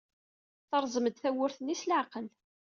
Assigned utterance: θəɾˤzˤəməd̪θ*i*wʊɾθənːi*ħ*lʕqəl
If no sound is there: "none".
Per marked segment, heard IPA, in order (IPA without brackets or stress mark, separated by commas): æ, s